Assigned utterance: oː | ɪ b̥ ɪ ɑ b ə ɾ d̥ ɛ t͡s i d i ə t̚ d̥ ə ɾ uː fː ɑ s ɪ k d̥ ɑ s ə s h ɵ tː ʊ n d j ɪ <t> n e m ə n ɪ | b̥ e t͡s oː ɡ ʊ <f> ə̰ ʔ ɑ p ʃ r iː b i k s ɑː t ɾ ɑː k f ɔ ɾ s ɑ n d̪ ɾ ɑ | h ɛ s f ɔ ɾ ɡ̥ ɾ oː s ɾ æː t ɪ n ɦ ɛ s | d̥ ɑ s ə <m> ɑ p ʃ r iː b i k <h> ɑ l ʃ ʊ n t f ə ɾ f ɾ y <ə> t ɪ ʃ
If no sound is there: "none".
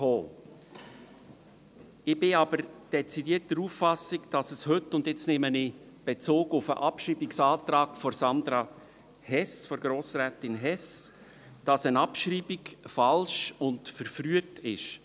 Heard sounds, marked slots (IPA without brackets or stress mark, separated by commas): t͡s, f, n, f, ə